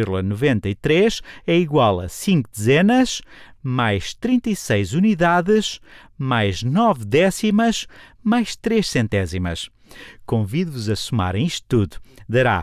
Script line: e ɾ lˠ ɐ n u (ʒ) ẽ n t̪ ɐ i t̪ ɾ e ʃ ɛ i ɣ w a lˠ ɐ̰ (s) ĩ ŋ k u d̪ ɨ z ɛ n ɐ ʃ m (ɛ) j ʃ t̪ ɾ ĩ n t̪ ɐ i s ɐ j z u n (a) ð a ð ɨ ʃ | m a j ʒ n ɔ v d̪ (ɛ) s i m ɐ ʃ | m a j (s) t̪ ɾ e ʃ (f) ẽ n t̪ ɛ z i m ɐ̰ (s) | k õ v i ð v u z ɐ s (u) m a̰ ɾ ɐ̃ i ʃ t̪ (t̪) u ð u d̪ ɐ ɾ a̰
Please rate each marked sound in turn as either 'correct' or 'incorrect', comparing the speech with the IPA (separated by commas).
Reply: incorrect, correct, incorrect, incorrect, correct, incorrect, incorrect, incorrect, correct, correct